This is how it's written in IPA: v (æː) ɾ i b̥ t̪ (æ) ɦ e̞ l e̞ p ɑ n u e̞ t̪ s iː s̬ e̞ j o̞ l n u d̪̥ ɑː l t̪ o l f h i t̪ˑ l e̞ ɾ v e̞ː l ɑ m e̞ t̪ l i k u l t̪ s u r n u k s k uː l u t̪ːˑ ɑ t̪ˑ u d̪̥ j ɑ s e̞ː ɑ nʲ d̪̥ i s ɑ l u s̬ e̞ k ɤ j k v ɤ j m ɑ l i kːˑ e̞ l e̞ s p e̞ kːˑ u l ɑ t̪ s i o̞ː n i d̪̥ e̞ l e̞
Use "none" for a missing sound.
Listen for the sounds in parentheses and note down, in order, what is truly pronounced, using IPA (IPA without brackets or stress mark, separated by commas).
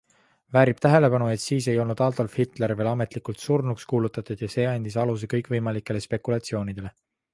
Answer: æː, æ